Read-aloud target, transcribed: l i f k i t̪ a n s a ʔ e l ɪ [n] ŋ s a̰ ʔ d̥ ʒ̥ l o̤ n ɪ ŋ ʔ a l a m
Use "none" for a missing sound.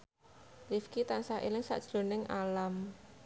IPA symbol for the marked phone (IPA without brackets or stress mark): none